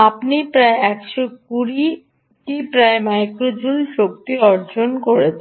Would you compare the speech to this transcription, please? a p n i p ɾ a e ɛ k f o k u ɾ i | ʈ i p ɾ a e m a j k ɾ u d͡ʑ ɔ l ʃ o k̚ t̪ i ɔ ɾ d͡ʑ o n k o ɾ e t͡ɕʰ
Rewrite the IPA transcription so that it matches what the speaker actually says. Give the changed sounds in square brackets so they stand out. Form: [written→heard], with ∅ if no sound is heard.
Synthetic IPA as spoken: a p n i p ɾ a e ɛ k [f→ʃ] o k u ɾ i | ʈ i p ɾ a e m a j k ɾ [u→o] d͡ʑ [ɔ→u] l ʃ o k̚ t̪ i ɔ ɾ d͡ʑ o n k o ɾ e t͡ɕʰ